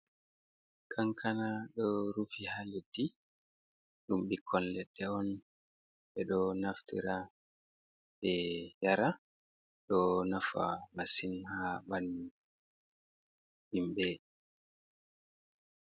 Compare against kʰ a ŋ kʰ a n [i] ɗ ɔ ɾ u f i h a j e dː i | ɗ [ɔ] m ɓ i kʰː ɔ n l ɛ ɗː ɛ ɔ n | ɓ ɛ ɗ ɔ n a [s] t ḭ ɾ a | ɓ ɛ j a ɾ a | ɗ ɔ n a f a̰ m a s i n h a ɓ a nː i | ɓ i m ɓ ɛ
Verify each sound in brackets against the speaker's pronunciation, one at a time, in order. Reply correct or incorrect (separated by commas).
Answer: incorrect, incorrect, incorrect